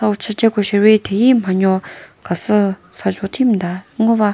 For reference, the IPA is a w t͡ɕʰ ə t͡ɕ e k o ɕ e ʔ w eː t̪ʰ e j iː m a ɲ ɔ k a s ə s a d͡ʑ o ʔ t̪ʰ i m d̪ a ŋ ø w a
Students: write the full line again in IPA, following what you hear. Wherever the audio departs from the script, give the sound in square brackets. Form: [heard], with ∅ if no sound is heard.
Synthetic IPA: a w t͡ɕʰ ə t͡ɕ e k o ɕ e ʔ w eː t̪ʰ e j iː m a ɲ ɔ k a s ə s a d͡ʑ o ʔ t̪ʰ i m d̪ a ŋ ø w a

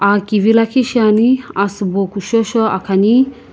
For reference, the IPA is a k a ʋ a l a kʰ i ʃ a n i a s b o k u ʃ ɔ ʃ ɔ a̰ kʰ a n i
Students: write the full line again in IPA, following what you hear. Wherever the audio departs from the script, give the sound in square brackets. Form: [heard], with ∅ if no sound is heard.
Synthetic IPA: a k [i] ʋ [i] l a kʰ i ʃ a n i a s b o k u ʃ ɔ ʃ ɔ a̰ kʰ a n i

